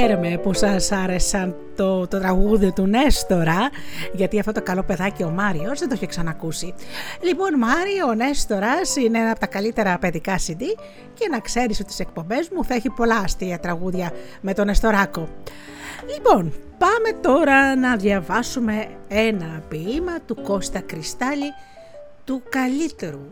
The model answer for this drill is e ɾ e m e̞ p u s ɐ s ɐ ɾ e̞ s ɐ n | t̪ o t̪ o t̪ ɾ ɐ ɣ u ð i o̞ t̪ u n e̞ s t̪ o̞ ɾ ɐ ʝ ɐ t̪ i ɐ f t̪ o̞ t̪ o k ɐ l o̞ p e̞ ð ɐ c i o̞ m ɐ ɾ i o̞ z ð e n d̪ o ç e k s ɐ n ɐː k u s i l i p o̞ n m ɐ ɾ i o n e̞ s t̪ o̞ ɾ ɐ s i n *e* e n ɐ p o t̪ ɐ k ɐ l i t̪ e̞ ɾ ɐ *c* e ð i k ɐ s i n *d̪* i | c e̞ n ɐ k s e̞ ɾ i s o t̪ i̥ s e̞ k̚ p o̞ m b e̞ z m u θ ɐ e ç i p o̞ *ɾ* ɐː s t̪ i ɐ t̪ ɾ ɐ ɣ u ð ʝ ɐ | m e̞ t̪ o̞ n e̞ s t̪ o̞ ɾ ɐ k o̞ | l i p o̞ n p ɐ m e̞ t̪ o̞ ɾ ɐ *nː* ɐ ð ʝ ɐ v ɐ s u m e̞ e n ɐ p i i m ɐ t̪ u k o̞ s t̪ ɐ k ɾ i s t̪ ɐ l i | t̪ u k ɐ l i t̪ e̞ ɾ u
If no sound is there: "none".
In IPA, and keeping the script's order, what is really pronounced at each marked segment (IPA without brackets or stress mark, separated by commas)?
e, p, d̪, l, n